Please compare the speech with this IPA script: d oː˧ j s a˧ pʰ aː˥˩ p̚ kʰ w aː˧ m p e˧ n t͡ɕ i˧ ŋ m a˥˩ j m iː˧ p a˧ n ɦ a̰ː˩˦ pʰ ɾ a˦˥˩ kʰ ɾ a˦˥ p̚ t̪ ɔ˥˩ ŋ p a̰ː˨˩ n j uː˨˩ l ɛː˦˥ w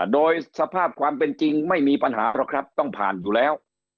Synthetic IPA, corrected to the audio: d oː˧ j s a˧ pʰ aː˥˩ p̚ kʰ w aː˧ m p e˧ n t͡ɕ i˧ ŋ m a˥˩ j m iː˧ p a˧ n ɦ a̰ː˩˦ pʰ ɾ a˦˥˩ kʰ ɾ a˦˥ p̚ t̪ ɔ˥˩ ŋ pʰ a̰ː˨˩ n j uː˨˩ l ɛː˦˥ w